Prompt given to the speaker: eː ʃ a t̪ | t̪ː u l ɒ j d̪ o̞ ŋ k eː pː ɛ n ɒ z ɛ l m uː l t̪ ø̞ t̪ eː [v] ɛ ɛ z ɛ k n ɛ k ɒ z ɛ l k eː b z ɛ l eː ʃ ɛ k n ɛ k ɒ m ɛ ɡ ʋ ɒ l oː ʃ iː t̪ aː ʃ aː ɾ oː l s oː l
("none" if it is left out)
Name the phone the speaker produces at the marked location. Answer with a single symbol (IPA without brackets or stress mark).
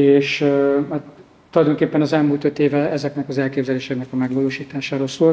v